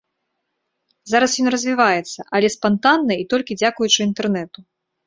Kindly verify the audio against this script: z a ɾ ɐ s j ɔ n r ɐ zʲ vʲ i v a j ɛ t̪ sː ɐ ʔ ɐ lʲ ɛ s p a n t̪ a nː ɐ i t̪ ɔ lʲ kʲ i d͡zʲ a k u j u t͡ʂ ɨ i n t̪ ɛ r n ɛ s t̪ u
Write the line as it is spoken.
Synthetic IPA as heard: z a ɾ ɐ s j ɔ n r ɐ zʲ vʲ i v a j ɛ t̪ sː ɐ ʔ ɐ lʲ ɛ s p a n t̪ a nː ɐ i t̪ ɔ lʲ kʲ i d͡zʲ a k u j u t͡ʂ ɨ i n t̪ ɛ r n ɛ t̪ u